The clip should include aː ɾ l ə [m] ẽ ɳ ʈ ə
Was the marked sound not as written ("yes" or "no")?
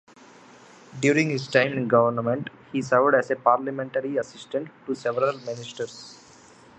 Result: no